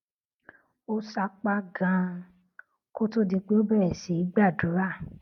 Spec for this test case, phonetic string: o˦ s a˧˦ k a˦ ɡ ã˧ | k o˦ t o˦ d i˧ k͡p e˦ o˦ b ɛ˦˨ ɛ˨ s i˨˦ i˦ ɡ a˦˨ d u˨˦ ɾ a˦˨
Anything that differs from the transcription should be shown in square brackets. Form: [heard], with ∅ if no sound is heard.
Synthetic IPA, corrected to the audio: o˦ s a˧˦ [k͡p] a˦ ɡ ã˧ | k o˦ t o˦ d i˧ k͡p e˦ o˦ b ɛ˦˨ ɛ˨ s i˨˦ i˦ [ɡ͡b] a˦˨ d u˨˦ ɾ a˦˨